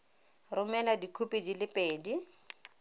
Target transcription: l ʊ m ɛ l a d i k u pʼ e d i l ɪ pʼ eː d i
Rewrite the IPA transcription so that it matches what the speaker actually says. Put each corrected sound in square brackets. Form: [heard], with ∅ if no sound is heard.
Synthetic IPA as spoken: [r] ʊ m ɛ l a d i [kʰ] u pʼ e [d͡ʒ] i l ɪ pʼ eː d i